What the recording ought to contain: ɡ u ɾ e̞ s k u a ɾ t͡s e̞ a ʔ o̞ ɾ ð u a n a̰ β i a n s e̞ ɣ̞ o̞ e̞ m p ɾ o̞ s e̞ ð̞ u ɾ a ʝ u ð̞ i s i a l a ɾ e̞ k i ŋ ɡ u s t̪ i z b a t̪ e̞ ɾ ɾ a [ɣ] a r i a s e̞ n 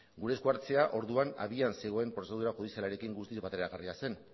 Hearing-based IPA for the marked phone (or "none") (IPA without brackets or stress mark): ɣ